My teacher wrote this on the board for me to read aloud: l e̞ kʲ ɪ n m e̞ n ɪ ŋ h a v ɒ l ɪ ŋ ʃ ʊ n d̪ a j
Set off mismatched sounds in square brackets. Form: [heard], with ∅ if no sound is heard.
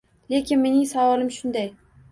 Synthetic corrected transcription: l e̞ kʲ ɪ n m e̞ n ɪ ŋ [s] a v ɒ l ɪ [m] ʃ ʊ n d̪ a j